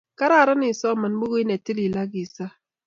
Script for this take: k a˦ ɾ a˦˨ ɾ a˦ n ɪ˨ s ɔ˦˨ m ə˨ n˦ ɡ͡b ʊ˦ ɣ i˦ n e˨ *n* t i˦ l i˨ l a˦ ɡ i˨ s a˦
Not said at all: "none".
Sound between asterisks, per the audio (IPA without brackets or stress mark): none